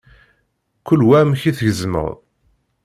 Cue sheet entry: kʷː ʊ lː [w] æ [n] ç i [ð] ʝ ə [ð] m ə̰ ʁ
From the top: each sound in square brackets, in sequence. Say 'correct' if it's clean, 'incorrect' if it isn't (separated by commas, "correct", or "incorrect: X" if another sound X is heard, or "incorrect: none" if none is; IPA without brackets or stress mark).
correct, incorrect: m, incorrect: θ, incorrect: z